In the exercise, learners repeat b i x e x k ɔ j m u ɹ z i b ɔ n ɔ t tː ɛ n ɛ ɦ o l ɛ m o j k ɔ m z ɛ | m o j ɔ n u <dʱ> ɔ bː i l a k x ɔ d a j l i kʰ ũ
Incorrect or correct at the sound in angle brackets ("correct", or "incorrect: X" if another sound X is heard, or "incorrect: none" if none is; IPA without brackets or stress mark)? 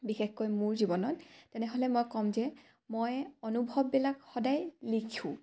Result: incorrect: bʱ